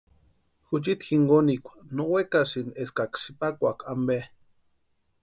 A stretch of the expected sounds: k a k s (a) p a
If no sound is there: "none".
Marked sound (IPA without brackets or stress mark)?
i